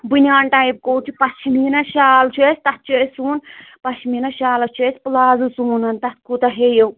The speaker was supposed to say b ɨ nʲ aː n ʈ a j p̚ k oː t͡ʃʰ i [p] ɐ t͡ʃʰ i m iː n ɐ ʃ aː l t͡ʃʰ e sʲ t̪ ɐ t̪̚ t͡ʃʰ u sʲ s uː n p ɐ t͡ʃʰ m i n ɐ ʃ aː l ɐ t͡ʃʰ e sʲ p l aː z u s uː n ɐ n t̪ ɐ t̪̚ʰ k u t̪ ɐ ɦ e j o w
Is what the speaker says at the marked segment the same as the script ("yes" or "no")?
yes